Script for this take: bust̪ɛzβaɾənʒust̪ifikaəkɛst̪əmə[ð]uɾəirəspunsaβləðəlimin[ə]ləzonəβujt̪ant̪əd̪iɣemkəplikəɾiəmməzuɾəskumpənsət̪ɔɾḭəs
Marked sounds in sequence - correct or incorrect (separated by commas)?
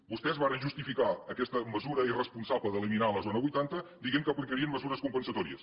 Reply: incorrect, incorrect